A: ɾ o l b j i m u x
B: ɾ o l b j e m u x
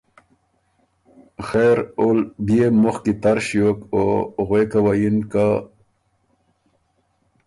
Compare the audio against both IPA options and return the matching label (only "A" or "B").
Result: B